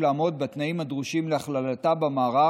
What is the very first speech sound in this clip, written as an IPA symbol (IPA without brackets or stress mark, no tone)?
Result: l